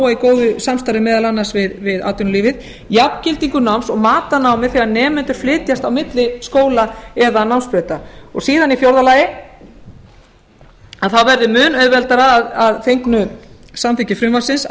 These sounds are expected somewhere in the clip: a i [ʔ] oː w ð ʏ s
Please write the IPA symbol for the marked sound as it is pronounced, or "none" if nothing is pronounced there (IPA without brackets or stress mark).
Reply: k